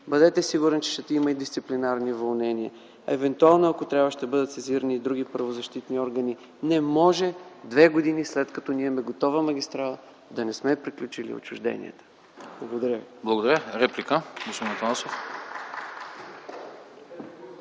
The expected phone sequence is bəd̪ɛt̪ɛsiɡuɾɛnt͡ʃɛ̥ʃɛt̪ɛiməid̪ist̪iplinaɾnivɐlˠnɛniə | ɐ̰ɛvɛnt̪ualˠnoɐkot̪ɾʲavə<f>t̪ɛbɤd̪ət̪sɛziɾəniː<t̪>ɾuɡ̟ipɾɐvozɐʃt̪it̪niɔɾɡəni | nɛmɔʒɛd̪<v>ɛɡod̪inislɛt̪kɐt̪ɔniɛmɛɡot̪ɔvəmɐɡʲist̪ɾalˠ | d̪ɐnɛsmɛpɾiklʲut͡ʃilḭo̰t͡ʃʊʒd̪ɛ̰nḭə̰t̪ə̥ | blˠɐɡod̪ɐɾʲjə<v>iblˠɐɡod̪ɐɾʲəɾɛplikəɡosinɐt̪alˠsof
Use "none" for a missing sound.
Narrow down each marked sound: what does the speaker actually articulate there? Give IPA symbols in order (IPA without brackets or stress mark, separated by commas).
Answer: ʃ, d̪, v, v